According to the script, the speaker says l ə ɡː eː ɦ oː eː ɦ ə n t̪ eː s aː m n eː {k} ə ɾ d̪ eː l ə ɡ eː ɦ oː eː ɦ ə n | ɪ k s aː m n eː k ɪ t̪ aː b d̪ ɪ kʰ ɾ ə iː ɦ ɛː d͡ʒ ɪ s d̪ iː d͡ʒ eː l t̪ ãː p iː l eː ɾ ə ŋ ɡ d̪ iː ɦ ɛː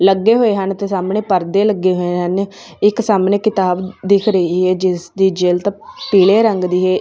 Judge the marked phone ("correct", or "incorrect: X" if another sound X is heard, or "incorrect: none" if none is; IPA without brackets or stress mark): incorrect: p